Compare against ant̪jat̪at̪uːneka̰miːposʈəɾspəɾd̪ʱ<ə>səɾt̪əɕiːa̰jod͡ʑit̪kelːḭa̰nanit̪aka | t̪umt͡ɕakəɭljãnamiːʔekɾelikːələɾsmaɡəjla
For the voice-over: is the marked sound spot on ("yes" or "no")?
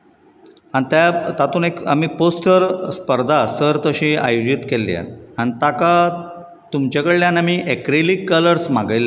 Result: no